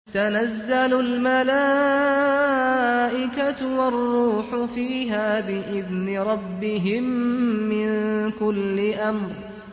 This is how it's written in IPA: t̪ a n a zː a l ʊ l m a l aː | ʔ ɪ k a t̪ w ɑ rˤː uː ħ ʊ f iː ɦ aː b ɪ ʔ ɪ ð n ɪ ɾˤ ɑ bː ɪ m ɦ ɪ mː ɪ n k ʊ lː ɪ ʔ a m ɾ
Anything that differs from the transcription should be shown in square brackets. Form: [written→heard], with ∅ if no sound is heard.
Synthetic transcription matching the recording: t̪ a n a zː a l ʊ l m a l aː | ʔ ɪ k a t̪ w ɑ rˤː uː ħ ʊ f iː ɦ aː b ɪ ʔ ɪ ð n ɪ ɾˤ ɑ bː ɪ [m→∅] ɦ ɪ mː ɪ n k ʊ lː ɪ ʔ a m ɾ